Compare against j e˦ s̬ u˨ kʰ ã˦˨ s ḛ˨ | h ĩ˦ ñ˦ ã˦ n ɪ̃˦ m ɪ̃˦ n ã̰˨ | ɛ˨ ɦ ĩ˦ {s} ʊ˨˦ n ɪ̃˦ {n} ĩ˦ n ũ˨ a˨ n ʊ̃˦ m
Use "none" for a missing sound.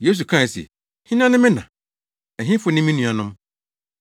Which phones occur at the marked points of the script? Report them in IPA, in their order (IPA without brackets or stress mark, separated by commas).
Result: f, m